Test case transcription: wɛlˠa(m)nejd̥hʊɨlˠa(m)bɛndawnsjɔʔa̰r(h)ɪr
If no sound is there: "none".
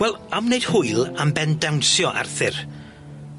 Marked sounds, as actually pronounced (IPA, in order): m, m, θ

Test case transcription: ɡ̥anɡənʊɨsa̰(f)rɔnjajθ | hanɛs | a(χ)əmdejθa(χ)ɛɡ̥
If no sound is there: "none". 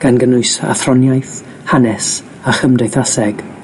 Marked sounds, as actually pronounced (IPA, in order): θ, χ, s

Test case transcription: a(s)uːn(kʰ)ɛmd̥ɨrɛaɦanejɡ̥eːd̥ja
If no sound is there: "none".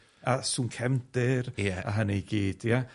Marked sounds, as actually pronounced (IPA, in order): s, kʰ

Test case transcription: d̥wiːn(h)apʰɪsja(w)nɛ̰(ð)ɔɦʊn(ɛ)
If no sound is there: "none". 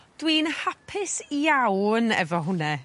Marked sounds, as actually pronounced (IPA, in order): h, w, v, ɛ

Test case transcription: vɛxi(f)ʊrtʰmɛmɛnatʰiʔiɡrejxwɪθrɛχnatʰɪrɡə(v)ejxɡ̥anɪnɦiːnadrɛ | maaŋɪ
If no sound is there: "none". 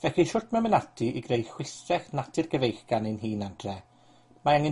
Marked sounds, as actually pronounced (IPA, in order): ʃ, v

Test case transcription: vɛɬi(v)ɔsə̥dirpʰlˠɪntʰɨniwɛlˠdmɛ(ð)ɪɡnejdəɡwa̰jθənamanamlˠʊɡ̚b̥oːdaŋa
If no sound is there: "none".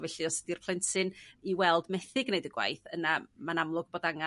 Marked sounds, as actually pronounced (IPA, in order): none, θ

